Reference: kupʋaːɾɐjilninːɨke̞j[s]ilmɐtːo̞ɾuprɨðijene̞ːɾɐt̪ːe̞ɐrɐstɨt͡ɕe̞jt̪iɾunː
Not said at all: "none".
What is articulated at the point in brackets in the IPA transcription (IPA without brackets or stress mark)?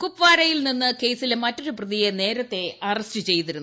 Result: s